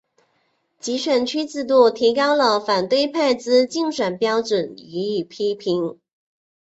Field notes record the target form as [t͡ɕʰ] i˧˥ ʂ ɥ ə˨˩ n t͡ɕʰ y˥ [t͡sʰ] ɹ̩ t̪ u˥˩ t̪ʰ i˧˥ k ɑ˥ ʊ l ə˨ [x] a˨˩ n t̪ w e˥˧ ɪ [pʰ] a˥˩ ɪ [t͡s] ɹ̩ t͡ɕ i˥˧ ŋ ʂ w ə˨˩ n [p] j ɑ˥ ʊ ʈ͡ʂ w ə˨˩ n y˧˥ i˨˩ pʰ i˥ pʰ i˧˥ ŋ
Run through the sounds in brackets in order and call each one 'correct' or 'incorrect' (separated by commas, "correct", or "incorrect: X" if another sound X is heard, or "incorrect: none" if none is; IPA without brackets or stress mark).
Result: incorrect: t͡ɕ, incorrect: t͡s, incorrect: f, correct, correct, correct